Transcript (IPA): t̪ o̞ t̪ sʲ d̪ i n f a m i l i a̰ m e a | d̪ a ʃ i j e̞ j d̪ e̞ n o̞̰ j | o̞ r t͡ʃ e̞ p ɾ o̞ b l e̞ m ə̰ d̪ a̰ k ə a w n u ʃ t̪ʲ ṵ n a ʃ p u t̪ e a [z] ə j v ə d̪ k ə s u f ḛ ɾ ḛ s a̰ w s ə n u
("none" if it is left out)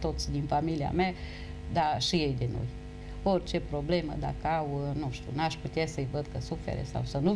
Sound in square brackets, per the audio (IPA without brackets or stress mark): s